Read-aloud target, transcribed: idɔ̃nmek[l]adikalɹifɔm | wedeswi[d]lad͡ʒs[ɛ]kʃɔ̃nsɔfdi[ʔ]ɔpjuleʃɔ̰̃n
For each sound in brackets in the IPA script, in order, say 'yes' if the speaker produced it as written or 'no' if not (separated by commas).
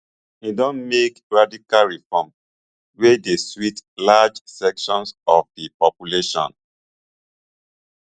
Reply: no, no, yes, no